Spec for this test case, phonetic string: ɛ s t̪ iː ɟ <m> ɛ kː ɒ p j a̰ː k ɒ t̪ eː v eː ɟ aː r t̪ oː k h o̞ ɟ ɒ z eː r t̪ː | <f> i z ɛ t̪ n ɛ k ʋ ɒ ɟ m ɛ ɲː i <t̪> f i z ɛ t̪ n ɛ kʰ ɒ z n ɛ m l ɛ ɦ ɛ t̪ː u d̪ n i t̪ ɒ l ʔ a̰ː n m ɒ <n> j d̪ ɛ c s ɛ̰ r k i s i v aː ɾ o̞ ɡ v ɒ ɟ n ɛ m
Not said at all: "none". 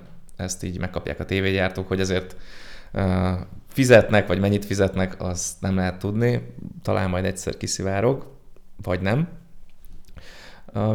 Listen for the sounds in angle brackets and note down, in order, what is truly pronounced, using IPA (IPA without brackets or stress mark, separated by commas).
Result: m, f, t̪, none